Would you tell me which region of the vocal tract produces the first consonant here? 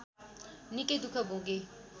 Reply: tongue tip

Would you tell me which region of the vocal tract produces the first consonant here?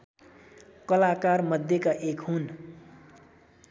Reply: velum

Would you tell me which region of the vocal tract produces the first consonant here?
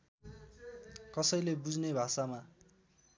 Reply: velum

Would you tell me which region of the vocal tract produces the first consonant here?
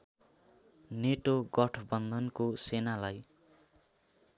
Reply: tongue tip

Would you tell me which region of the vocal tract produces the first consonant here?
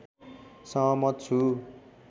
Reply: tongue tip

